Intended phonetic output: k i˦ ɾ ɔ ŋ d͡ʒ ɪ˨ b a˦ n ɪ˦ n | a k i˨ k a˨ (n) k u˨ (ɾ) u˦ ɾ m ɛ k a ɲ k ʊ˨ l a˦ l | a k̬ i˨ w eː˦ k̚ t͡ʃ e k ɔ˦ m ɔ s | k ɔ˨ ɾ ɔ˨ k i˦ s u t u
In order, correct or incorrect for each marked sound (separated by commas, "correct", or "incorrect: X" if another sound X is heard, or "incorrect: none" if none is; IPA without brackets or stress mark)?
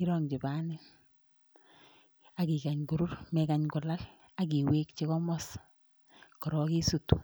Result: incorrect: ɲ, correct